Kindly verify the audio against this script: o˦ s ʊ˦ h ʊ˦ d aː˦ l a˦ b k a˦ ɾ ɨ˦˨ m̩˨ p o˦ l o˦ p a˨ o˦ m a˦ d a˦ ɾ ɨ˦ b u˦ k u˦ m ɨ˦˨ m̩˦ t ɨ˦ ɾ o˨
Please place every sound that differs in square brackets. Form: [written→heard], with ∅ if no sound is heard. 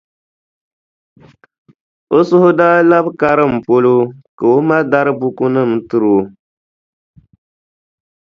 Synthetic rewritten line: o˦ s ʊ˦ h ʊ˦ d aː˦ l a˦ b k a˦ ɾ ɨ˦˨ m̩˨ p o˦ l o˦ [p→k] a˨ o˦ m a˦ d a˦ ɾ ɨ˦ b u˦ k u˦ [m→n] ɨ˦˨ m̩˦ t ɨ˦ ɾ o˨

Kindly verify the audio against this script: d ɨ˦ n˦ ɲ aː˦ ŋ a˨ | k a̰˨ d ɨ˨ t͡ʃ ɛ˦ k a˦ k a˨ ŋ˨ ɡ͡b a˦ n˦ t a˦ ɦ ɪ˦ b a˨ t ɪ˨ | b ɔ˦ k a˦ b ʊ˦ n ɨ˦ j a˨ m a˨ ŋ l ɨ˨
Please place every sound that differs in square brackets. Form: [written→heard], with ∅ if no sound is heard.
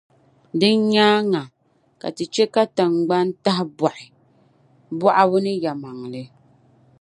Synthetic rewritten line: d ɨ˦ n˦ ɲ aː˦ ŋ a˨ | k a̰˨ [d→t] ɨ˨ t͡ʃ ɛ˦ k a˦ [k→t] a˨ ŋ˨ ɡ͡b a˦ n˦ t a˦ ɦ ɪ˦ b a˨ [t→ʔ] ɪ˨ | b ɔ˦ [k→ʔ] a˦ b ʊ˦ n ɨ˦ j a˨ m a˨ ŋ l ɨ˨

